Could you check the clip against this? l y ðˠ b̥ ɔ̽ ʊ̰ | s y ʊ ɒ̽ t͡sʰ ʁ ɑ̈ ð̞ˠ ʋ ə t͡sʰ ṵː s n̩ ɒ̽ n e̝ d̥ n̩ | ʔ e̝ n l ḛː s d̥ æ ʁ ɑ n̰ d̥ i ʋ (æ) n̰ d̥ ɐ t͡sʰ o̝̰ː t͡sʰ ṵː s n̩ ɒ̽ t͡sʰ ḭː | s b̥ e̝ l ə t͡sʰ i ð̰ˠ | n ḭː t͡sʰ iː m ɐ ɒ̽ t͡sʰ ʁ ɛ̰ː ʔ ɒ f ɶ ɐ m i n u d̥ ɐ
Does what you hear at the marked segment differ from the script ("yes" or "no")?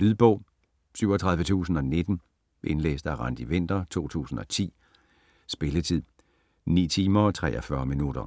yes